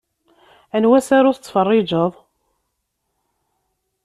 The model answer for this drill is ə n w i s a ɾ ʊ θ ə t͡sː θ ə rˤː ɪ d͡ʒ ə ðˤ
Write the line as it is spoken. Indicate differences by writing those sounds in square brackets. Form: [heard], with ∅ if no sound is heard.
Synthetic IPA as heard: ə n w [æ] s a ɾ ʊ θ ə t͡sː [f] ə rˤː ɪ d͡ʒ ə ðˤ